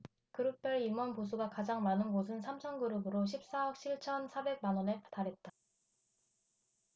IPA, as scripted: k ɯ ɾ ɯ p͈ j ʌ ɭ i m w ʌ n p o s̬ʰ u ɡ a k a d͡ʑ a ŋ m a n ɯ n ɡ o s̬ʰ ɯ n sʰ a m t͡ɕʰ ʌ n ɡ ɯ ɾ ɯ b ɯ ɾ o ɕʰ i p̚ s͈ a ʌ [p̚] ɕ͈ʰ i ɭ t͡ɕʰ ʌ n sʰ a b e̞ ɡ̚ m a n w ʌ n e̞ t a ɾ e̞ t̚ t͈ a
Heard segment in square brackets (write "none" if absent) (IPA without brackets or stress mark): k̚